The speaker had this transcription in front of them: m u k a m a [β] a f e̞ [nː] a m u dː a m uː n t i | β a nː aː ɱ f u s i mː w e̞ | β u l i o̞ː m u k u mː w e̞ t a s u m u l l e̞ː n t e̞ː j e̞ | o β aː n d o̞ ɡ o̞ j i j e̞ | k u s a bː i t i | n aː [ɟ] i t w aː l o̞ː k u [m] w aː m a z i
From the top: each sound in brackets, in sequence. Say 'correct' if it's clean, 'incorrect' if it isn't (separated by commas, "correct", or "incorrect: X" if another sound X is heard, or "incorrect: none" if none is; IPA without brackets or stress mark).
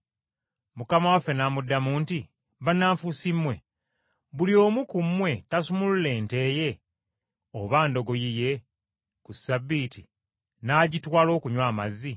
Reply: incorrect: w, incorrect: n, correct, incorrect: ɲ